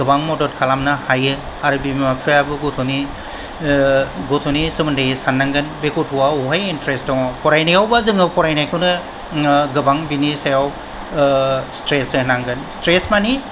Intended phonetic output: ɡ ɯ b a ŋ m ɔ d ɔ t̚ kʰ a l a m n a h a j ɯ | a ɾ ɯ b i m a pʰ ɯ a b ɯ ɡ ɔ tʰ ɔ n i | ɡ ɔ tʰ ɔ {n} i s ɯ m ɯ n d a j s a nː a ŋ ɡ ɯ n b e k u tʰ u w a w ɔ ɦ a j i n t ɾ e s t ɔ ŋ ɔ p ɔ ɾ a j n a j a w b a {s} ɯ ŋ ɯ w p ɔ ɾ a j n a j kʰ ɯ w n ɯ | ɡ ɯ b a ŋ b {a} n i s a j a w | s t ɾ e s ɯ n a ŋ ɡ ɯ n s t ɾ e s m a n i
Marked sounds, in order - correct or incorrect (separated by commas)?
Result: correct, incorrect, incorrect